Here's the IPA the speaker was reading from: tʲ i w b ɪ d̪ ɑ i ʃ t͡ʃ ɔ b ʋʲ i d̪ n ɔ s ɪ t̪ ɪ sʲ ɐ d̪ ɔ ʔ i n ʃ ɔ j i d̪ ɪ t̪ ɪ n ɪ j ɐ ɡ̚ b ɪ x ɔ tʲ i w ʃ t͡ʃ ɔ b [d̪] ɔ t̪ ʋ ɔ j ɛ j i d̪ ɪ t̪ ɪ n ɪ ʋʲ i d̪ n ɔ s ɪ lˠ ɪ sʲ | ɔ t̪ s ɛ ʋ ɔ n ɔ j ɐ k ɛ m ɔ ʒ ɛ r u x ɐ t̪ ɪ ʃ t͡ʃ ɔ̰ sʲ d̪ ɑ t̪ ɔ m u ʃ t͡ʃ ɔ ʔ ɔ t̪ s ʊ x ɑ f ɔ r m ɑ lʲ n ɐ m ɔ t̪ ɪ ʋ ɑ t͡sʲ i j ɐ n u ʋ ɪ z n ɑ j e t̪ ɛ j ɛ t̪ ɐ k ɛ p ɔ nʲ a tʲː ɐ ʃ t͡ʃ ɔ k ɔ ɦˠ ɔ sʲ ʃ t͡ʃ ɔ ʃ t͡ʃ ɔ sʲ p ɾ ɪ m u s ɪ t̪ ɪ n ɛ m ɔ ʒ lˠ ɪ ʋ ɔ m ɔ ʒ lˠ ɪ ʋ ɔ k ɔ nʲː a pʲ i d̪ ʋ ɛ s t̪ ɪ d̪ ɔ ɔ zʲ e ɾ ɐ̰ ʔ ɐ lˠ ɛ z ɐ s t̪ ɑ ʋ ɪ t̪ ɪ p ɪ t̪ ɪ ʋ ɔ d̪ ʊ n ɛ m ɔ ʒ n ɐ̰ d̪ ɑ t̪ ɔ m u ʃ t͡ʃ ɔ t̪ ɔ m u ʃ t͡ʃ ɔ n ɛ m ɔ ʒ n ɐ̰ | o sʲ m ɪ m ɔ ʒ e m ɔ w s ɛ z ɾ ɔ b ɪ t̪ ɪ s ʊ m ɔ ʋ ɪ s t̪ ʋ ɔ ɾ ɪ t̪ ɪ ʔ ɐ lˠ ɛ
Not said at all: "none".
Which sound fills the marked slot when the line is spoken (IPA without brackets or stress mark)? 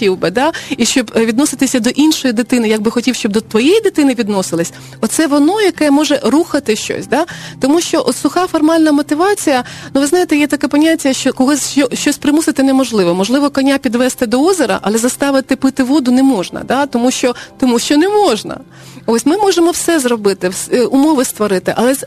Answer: d̪